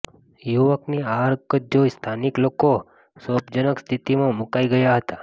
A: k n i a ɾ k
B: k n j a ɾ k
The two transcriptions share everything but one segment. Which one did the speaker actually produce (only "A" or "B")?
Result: A